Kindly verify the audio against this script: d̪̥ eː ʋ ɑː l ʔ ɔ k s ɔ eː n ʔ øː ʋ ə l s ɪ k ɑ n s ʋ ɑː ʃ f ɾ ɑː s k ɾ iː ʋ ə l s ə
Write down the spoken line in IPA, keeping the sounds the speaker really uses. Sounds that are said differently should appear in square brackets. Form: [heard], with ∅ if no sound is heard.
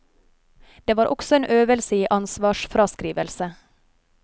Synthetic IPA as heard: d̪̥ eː ʋ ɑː [ɾ] ʔ ɔ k s ɔ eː n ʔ øː ʋ ə l s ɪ [ʔ] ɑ n s ʋ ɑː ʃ f ɾ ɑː s k ɾ iː ʋ ə l s ə